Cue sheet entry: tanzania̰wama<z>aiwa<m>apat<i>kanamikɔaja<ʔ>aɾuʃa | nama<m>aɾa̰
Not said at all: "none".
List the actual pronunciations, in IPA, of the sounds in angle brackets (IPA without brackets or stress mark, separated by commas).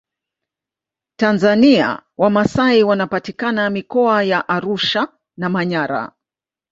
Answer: s, n, i, ʔ, ɲ